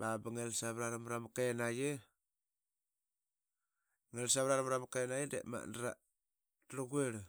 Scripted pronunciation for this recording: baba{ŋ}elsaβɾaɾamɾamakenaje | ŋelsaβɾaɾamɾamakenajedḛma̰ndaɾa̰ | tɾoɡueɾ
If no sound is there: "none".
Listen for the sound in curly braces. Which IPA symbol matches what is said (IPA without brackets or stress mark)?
ŋ